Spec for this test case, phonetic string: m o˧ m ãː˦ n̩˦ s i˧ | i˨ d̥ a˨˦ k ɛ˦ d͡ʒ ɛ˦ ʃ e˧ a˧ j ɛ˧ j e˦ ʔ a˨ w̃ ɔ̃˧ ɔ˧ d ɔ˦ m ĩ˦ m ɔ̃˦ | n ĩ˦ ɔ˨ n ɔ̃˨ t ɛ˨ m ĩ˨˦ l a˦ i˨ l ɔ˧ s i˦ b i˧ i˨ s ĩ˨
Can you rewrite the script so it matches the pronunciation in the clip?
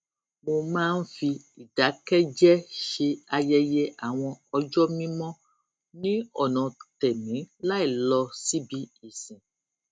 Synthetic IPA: m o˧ m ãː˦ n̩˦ f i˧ | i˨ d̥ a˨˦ k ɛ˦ d͡ʒ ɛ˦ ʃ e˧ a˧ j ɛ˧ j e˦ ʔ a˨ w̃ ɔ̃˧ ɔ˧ d͡ʒ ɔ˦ m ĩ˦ m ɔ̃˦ | n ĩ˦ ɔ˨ n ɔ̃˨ t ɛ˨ m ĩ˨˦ l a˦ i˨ l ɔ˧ s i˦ b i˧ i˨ s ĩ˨

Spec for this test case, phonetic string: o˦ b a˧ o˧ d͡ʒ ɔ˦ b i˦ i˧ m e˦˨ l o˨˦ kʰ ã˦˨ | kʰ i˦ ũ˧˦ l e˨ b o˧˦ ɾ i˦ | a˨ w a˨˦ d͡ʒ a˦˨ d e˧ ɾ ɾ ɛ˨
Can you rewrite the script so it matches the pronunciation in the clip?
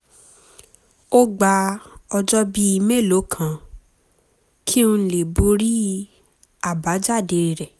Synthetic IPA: o˦ ɡ͡b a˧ ɔ˧ d͡ʒ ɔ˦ b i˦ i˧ m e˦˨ l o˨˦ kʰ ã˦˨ | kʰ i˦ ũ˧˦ l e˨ b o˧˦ ɾ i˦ | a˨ b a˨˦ d͡ʒ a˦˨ d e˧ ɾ ɾ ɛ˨

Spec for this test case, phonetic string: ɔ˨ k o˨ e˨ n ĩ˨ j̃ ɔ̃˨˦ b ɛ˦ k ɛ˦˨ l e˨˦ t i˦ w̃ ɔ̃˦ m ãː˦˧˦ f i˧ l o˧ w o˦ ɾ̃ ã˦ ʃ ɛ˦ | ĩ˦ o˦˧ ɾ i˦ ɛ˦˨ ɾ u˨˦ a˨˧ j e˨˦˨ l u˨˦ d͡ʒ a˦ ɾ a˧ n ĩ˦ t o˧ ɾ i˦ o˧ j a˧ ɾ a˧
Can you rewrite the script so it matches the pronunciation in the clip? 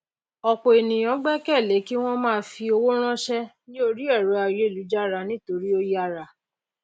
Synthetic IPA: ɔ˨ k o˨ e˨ n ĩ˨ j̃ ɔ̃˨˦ ɡ͡b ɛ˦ k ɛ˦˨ l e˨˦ k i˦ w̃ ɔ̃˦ m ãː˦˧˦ f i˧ o˧ w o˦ ɾ̃ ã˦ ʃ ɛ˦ | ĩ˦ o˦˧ ɾ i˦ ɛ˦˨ ɾ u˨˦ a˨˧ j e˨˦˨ l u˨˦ d͡ʒ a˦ ɾ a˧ n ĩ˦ t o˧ ɾ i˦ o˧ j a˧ ɾ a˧

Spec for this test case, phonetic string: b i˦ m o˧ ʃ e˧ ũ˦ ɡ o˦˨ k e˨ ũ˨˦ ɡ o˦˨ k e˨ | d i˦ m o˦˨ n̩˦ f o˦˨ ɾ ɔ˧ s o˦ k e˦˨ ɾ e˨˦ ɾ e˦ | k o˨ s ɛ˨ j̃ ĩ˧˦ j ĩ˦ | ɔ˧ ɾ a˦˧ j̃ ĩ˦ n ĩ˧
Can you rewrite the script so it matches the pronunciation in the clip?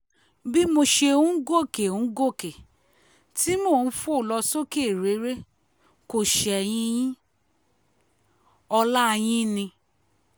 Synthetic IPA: b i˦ m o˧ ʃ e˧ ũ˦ ɡ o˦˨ k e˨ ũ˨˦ ɡ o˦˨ k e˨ | t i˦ m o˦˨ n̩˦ f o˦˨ l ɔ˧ s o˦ k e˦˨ ɾ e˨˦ ɾ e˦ | k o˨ ʃ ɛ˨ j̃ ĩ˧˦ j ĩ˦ | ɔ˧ l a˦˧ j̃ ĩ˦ n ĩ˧

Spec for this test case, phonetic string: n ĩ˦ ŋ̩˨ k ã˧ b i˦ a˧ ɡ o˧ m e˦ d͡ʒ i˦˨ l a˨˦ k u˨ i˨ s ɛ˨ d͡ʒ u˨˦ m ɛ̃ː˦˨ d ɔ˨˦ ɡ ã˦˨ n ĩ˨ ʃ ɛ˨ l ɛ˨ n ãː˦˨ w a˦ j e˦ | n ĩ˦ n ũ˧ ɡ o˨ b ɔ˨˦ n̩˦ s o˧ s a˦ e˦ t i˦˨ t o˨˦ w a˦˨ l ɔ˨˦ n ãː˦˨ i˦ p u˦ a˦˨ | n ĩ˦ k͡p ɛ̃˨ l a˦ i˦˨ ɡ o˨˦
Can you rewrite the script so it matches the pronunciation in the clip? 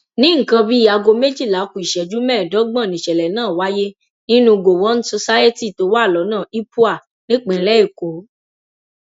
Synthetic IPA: n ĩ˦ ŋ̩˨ k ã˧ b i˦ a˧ ɡ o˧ m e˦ d͡ʒ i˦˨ l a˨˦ k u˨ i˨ ʃ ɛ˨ d͡ʒ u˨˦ m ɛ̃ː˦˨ d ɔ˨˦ ɡ͡b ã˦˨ n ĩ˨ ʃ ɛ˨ l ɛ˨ n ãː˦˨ w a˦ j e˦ | n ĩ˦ n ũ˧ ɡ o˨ w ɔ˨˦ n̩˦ s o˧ s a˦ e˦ t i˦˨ t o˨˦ w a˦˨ l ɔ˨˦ n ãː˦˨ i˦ p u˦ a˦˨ | n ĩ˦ k͡p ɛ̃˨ l ɛ˦ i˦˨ k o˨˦

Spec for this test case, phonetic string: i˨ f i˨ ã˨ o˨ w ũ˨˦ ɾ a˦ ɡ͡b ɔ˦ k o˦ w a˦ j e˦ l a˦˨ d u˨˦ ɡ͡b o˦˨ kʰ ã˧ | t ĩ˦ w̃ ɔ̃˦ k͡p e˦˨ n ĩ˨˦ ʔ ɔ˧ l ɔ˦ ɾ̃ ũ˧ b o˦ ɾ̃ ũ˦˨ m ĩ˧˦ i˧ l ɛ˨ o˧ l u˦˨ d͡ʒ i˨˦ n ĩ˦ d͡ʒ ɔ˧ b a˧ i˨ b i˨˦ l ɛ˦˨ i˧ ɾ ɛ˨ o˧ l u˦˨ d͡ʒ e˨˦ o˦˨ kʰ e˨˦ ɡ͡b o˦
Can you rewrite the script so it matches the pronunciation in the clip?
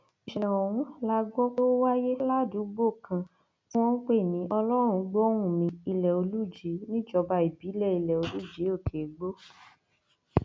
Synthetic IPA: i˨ ʃ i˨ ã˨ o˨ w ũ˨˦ l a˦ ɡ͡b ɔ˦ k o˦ w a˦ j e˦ l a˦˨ d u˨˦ ɡ͡b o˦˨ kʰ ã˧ | t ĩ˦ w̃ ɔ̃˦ k͡p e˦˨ n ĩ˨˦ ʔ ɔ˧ l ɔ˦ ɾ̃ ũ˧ ɡ͡b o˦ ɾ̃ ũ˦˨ m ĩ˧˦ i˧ l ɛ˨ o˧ l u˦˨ d͡ʒ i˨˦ n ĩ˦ d͡ʒ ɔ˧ b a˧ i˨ b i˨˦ l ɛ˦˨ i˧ l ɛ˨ o˧ l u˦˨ d͡ʒ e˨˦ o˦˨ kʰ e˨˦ ɡ͡b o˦

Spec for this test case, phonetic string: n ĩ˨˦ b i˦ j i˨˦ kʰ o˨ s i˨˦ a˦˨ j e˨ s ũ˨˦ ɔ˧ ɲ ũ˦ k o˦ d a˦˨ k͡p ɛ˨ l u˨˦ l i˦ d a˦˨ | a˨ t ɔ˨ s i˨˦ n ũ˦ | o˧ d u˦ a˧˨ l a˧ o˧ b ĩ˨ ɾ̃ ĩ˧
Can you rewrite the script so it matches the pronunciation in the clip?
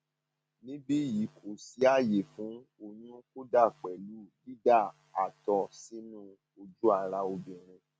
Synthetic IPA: n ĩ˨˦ b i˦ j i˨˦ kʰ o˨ s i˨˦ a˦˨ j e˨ f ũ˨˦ o˧ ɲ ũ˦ k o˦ d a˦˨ k͡p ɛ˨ l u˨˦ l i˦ d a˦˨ | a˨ t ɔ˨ s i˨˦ n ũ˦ | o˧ d͡ʒ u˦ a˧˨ ɾ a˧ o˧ b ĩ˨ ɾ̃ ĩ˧

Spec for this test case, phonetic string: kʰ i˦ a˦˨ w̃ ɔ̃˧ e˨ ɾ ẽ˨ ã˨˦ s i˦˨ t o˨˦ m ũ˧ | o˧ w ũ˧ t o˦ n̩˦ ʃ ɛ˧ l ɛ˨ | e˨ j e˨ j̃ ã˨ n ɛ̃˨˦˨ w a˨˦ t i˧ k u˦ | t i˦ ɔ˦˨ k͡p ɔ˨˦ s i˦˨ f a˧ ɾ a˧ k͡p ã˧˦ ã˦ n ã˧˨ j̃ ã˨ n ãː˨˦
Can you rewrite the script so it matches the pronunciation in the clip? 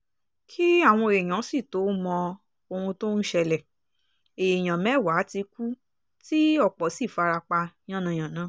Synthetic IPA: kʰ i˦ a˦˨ w̃ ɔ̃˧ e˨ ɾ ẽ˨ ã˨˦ s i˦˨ t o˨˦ m ɔ̃˧ | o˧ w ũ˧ t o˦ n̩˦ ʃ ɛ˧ l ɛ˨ | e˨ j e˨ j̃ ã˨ m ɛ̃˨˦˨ w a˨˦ t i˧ k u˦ | t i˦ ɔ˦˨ k͡p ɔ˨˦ s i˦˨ f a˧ ɾ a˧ k͡p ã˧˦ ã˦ n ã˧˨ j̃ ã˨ n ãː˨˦

